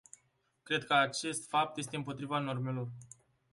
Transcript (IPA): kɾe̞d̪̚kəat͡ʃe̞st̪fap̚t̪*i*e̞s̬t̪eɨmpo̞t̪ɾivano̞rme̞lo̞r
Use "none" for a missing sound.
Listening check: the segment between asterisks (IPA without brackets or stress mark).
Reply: j